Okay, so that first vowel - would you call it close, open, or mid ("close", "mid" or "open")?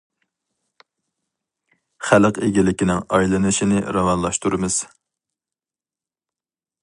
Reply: open